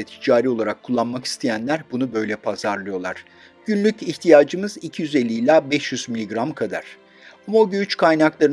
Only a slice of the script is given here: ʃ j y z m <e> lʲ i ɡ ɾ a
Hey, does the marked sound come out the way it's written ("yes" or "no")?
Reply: no